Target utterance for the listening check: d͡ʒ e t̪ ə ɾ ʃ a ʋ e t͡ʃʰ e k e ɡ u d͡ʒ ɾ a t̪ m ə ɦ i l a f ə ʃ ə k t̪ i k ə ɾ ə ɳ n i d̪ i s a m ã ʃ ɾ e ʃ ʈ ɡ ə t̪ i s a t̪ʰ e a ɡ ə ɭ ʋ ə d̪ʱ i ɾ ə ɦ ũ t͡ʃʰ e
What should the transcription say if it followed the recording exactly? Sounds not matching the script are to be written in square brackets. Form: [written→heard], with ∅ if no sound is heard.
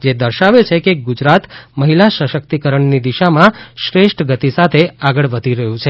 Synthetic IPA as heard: d͡ʒ e [t̪→d̪] ə ɾ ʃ a ʋ e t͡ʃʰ e k e ɡ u d͡ʒ ɾ a t̪ m ə ɦ i l a [f→ʃ] ə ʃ ə k t̪ i k ə ɾ ə ɳ n i d̪ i [s→ʃ] a m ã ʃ ɾ e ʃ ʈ ɡ ə t̪ i s a t̪ʰ e a ɡ ə ɭ ʋ ə d̪ʱ i ɾ ə ɦ ũ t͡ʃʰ e